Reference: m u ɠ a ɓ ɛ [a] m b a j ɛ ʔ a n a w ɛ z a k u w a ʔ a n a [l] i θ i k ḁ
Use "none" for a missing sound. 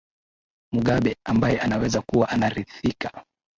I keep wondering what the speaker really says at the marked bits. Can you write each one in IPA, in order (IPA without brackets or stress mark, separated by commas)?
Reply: a, ɾ